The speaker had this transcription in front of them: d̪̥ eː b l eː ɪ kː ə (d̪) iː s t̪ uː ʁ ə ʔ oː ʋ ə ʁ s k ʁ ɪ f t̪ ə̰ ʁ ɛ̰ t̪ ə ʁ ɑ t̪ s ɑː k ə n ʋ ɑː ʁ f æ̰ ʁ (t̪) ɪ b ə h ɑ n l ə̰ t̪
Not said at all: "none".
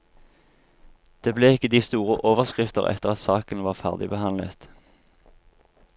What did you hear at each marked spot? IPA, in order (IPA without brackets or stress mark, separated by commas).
d̪, d̪